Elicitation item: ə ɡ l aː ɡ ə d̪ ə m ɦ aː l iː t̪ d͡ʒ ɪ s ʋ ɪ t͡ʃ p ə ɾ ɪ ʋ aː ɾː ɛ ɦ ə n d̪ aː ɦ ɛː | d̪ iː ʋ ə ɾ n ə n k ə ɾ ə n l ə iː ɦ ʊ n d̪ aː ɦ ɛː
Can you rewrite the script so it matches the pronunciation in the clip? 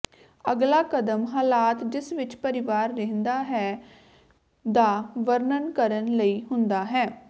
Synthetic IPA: ə ɡ l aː k ə d̪ ə m ɦ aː l aː t̪ d͡ʒ ɪ s ʋ ɪ t͡ʃ p ə ɾ ɪ ʋ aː ɾː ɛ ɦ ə n d̪ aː ɦ ɛː | d̪ aː ʋ ə ɾ n ə n k ə ɾ ə n l ə iː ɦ ʊ n d̪ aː ɦ ɛː